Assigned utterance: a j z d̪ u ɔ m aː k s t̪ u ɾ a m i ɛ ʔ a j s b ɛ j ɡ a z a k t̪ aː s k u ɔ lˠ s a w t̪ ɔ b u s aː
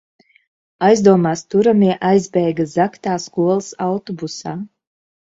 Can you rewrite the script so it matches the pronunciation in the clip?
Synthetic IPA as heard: a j z d̪ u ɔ m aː s t̪ u ɾ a m i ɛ ʔ a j z b ɛ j ɡ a z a k t̪ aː s k u ɔ lˠ s a w t̪ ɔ b u s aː